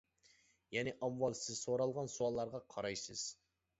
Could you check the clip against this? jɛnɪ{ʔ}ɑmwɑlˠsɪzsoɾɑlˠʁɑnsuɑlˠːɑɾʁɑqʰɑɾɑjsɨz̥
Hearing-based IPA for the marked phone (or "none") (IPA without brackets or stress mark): ʔ